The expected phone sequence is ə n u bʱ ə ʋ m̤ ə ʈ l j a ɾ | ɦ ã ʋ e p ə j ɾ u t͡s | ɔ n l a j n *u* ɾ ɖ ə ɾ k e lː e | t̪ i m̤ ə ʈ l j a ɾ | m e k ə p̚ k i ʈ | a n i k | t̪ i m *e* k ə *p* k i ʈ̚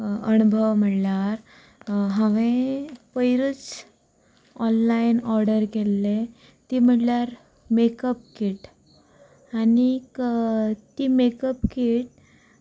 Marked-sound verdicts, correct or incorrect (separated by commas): incorrect, correct, correct